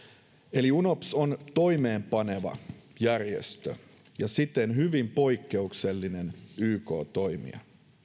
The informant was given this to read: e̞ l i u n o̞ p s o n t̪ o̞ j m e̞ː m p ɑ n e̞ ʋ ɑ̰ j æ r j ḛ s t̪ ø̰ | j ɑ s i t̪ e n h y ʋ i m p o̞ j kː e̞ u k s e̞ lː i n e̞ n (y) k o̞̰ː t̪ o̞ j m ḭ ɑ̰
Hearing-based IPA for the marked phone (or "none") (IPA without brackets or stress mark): yː